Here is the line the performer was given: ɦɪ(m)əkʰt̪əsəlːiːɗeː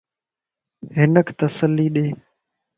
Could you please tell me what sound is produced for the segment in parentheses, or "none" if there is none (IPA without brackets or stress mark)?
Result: n